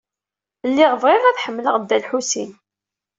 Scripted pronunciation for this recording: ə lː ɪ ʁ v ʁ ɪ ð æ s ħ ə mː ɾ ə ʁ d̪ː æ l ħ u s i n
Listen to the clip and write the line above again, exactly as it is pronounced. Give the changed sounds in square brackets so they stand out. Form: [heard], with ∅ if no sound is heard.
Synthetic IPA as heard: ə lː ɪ ʁ v ʁ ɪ [ʁ] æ [θ] ħ ə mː [l] ə ʁ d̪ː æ l ħ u s i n